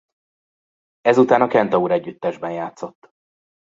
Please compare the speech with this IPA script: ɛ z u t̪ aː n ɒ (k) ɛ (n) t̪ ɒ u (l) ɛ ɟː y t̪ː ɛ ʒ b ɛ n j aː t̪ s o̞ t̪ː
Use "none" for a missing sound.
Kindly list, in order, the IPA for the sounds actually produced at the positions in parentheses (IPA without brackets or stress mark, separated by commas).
k, n, ɾ